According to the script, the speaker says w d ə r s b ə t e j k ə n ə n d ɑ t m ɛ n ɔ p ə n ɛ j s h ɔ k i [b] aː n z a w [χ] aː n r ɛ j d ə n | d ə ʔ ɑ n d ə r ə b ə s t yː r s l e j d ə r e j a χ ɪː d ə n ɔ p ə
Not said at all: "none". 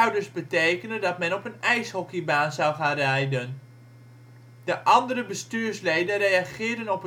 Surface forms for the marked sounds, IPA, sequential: b, χ

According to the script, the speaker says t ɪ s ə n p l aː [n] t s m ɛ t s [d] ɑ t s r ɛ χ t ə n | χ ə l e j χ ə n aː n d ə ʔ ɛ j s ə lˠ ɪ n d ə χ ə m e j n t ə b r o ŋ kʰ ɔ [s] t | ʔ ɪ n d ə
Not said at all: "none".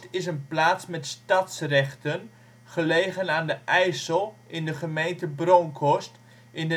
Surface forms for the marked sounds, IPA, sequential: none, t, s

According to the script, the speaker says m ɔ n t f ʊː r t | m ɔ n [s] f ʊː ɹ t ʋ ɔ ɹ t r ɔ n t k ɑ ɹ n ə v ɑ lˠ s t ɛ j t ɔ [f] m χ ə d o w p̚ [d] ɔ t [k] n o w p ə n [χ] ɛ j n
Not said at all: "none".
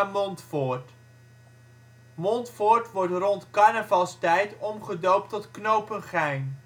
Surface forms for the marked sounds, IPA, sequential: t, none, t, k, χ

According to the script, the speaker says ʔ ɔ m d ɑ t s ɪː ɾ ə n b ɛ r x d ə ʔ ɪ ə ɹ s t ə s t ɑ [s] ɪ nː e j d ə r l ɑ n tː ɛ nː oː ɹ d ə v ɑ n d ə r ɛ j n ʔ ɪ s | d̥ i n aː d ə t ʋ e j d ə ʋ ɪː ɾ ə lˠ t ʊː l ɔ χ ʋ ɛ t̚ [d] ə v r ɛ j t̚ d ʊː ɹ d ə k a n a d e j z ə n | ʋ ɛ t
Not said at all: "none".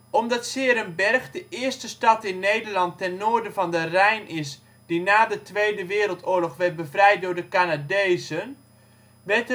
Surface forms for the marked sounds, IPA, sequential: t, b

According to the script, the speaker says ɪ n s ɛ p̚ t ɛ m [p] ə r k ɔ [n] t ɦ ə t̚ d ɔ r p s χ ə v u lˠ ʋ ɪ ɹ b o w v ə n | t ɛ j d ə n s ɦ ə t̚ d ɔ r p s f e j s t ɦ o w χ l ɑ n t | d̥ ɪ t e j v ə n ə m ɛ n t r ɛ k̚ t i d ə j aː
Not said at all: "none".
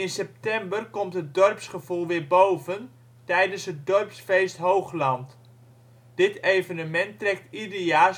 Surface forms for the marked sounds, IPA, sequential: b, m

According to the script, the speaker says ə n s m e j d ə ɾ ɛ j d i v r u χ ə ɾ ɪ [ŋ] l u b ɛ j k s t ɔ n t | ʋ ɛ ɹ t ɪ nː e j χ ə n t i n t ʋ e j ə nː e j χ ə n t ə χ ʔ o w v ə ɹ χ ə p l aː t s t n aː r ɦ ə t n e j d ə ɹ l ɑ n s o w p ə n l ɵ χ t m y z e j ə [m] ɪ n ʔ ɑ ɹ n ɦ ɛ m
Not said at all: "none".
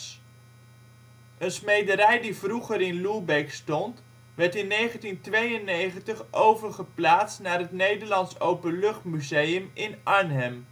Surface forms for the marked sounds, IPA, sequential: n, m

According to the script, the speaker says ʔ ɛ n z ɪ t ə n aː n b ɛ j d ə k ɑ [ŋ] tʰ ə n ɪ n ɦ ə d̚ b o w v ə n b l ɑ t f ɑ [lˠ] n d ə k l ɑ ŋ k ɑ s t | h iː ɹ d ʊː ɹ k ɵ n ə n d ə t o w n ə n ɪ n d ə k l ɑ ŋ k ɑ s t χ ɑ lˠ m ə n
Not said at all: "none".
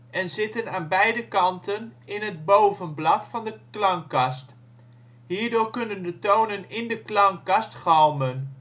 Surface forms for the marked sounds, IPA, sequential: n, none

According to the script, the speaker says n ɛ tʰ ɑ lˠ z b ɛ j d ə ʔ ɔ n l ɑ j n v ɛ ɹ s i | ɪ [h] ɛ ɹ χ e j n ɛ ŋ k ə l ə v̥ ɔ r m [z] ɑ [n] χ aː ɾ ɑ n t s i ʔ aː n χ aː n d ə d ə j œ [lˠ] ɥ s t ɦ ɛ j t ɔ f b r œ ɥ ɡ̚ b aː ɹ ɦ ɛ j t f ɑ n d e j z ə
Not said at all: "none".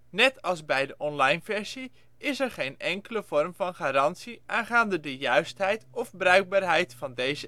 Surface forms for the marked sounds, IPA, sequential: s, v, n, none

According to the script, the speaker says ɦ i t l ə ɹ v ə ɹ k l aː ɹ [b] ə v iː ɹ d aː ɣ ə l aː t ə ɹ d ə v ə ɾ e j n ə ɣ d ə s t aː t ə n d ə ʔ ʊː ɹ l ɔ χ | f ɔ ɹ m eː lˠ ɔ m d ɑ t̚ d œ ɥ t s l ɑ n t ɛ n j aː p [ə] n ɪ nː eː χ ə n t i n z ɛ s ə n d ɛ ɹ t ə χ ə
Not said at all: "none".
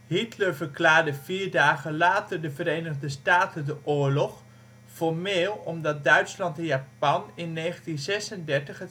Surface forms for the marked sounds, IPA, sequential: d, ɑ

